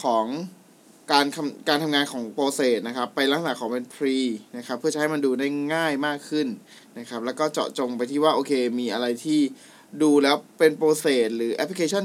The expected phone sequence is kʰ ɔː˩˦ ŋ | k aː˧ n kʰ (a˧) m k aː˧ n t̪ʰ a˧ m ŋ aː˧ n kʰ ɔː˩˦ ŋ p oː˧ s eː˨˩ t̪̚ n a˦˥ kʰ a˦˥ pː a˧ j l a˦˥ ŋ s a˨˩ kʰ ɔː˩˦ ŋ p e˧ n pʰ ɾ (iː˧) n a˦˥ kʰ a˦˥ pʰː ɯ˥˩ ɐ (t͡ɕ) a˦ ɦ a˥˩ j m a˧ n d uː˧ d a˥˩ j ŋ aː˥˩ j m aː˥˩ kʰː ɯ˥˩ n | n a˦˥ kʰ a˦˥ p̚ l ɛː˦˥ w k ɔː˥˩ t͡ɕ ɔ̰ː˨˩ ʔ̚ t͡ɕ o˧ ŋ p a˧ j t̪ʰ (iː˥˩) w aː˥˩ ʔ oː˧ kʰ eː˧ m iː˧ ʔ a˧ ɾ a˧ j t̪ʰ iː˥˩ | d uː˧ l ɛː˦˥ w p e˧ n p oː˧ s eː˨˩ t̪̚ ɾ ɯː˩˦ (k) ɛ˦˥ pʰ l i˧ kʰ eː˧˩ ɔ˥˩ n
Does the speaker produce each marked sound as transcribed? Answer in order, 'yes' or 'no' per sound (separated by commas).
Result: yes, yes, yes, yes, no